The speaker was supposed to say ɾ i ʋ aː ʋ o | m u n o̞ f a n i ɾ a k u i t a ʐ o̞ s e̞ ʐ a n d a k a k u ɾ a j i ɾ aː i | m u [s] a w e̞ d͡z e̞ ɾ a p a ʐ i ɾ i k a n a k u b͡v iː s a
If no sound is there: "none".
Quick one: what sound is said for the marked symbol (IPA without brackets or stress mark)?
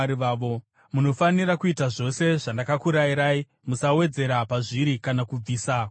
s